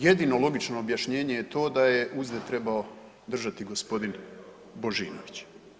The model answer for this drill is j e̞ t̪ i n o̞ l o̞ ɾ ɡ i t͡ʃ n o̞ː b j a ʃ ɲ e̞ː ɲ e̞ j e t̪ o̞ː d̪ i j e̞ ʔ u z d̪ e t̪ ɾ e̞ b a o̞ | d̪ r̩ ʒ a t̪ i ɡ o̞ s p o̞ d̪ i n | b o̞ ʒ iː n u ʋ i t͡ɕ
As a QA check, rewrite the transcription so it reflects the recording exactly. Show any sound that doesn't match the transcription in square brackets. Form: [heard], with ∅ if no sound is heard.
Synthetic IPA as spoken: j e̞ [d̪] i n o̞ l o̞ [∅] ɡ i t͡ʃ n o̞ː b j a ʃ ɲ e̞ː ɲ e̞ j e t̪ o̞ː d̪ [a] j e̞ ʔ u z d̪ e t̪ ɾ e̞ b a o̞ | d̪ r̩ ʒ a t̪ i ɡ o̞ s p o̞ d̪ i n | b o̞ ʒ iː n [o] ʋ i t͡ɕ